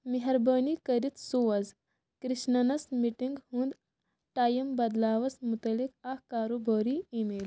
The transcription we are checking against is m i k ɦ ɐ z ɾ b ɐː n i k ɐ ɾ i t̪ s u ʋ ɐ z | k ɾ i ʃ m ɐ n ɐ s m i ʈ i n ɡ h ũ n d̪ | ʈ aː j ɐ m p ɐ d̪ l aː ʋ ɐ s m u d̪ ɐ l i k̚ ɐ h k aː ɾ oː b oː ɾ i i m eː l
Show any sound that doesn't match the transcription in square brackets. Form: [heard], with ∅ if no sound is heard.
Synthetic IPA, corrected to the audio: m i [∅] ɦ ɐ [∅] ɾ b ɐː n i k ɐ ɾ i t̪ s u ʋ ɐ z | k ɾ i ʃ [n] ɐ n ɐ s m i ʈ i [ŋ] ɡ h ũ n d̪ | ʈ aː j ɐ m [b] ɐ d̪ l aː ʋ ɐ s m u [t̪] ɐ l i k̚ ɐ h k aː ɾ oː b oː ɾ i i m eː l